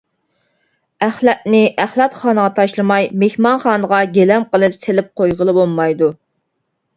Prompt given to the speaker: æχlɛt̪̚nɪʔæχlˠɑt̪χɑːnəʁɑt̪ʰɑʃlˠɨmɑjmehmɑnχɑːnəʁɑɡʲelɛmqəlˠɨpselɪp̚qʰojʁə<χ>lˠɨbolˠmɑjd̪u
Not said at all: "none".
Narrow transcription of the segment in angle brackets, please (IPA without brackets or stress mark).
none